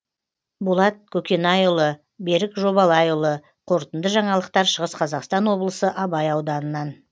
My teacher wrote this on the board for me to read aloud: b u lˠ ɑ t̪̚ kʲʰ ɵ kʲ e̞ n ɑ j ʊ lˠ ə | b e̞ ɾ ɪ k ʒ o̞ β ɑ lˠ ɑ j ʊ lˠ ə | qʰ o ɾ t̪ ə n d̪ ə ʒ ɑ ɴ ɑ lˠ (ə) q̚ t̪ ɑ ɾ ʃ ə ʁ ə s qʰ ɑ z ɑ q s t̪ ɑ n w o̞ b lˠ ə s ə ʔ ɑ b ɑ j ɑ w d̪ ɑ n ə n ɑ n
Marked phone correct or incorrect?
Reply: correct